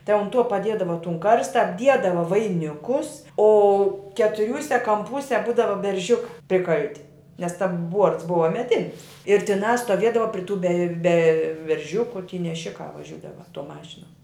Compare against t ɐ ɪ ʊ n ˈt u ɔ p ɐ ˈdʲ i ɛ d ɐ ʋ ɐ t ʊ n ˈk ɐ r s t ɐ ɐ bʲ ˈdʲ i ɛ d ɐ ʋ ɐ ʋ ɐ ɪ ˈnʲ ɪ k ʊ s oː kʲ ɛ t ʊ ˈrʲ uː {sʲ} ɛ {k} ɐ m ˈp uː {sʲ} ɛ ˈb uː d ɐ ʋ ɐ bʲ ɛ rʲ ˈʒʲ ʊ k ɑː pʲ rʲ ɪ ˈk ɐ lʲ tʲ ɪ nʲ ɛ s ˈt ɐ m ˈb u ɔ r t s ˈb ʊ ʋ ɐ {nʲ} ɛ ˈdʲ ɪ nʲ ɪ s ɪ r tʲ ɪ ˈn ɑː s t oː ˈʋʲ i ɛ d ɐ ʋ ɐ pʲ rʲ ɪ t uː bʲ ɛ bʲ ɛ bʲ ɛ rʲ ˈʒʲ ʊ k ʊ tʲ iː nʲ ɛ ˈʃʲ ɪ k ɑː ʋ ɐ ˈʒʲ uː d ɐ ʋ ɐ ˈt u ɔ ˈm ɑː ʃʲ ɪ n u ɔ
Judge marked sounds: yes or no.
yes, yes, yes, no

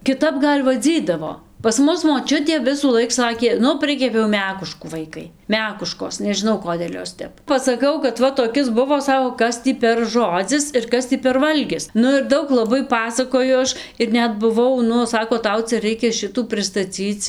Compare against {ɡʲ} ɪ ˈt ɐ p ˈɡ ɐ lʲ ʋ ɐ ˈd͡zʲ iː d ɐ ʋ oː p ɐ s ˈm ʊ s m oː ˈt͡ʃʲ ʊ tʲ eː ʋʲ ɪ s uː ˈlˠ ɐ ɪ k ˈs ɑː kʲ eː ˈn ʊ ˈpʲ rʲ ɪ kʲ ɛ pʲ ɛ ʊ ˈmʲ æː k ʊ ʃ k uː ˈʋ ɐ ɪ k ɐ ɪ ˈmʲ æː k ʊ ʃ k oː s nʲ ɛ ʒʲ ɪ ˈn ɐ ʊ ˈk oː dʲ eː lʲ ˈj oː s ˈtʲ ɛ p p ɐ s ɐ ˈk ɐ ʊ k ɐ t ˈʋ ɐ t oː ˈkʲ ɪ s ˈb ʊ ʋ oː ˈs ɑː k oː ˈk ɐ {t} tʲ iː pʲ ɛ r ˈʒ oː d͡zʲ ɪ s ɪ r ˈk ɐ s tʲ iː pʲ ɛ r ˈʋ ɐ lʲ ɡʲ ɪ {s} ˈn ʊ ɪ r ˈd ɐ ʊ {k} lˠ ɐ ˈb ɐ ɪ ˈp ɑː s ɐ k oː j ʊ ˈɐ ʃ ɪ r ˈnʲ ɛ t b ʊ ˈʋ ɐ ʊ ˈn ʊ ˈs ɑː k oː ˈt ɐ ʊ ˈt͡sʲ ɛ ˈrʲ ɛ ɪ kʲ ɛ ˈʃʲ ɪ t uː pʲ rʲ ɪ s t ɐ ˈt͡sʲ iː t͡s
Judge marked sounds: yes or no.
no, no, yes, yes

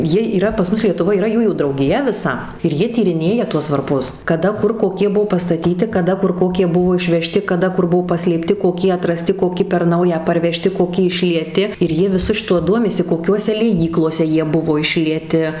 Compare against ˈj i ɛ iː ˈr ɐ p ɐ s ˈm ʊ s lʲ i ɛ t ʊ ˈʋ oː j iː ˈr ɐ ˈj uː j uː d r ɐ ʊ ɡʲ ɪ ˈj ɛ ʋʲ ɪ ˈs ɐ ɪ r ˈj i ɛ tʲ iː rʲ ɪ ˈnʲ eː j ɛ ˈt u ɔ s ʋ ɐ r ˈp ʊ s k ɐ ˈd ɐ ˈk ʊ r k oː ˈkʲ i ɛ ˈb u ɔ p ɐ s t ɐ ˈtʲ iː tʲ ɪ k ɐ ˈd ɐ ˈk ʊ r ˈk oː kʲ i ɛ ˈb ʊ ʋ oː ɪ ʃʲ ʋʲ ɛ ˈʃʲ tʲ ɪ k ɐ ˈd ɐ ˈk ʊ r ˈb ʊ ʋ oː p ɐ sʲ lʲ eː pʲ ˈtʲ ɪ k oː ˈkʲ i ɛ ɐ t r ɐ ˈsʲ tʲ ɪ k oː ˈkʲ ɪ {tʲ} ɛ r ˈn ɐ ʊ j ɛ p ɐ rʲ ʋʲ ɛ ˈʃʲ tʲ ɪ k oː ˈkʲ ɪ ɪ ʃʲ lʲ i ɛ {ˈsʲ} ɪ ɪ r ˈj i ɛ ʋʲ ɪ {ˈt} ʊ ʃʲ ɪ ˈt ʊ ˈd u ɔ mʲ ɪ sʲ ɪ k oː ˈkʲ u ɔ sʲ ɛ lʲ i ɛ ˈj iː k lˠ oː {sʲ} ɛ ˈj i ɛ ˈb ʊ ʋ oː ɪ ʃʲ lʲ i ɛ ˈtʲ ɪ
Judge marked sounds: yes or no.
no, no, no, yes

